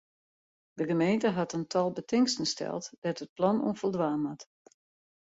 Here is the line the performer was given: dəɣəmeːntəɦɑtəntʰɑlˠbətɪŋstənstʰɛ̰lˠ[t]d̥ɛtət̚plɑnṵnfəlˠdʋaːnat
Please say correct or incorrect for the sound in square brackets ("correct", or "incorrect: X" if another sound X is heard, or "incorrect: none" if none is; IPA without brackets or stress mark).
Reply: correct